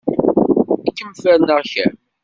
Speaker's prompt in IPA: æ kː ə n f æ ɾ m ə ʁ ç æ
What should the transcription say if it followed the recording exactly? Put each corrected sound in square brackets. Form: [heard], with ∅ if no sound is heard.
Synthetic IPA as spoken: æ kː ə [m] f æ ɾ [n] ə ʁ ç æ